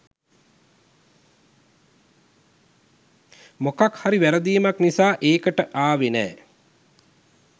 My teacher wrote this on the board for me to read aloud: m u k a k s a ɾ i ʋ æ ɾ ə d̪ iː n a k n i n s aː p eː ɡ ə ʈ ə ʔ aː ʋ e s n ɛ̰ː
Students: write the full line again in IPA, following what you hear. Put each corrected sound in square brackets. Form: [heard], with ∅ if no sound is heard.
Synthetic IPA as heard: m [o] k a k [h] a ɾ i ʋ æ ɾ ə d̪ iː [m] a k n i [∅] s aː [ʔ] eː [k] ə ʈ ə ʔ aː ʋ e [∅] n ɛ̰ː